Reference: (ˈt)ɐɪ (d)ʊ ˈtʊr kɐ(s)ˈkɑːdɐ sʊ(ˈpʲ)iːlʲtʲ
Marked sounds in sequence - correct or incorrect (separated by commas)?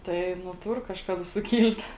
correct, incorrect, incorrect, incorrect